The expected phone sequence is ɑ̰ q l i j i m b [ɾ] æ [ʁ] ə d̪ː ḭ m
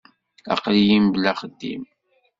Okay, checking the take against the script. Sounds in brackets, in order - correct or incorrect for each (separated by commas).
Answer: incorrect, incorrect